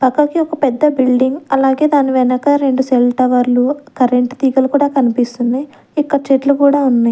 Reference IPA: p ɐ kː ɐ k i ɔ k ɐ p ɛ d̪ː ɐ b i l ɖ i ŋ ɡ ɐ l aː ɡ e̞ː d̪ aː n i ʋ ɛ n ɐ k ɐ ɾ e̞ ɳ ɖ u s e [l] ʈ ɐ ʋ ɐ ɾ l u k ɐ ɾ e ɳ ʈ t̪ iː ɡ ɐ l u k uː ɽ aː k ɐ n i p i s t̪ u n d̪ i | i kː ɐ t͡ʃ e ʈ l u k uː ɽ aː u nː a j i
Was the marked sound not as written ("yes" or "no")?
no